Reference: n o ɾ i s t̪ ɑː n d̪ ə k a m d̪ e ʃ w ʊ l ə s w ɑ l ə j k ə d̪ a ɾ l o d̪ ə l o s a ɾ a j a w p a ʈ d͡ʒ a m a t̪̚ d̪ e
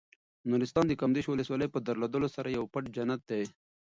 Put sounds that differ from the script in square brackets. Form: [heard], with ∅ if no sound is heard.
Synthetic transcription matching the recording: n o ɾ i s t̪ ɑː n d̪ ə k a m d̪ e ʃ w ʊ l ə s w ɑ l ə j [p] ə d̪ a ɾ l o d̪ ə l o s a ɾ a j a w p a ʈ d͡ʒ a [n] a t̪̚ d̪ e